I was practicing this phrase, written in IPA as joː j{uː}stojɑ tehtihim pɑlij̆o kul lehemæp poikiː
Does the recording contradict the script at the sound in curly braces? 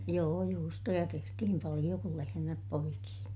no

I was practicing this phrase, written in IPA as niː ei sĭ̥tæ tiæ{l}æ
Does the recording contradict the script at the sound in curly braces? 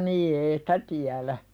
no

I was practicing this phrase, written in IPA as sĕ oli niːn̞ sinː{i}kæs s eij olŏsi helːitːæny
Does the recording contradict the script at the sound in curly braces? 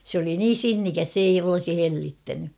no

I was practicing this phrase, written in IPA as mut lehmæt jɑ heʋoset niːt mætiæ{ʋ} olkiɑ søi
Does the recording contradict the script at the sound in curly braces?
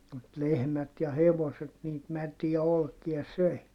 yes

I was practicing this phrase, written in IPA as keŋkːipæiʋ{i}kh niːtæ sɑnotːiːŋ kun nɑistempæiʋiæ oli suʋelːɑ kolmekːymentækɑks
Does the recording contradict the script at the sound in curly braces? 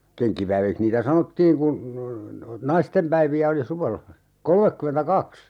no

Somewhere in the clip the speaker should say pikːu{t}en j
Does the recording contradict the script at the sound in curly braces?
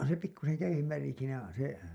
yes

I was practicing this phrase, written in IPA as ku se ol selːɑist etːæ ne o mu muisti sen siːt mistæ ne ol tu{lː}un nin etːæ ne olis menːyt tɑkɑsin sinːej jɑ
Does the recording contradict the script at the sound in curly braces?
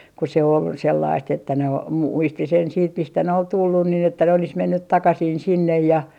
no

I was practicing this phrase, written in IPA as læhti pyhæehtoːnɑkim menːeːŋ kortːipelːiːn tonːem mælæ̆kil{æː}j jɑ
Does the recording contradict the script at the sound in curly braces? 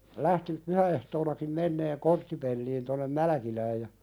no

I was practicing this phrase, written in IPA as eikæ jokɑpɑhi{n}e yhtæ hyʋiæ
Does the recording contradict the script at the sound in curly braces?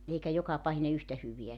no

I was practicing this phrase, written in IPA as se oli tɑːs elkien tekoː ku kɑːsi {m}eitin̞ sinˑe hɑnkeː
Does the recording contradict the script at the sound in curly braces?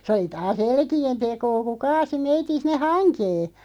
no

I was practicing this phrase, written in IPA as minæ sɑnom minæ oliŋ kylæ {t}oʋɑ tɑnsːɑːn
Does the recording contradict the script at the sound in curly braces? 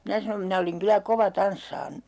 yes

